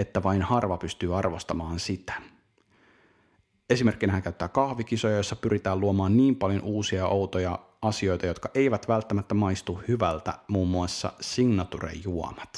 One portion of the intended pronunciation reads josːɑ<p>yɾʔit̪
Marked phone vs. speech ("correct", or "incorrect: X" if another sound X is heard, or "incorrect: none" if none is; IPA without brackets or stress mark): correct